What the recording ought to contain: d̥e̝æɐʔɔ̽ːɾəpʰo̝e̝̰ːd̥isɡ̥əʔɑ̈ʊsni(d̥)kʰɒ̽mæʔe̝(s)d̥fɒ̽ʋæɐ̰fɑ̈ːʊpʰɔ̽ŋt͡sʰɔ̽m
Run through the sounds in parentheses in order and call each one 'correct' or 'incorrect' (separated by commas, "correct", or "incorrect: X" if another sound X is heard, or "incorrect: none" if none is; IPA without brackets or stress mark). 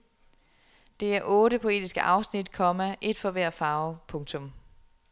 correct, incorrect: none